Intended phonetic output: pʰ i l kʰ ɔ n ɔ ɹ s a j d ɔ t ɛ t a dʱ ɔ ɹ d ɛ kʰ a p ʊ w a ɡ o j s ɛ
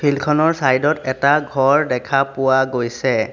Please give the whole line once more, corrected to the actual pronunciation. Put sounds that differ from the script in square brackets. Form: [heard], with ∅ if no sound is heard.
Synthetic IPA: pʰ i l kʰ ɔ n ɔ ɹ s a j d ɔ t ɛ t a [ɡʱ] ɔ ɹ d ɛ kʰ a p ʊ w a ɡ o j s ɛ